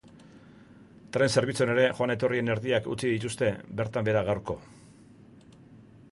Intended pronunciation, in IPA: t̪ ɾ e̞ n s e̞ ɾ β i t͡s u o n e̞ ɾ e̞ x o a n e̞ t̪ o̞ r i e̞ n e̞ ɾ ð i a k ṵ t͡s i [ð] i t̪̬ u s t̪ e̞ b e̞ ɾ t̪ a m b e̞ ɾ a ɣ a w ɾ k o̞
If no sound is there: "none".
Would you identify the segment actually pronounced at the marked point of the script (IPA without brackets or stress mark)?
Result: ð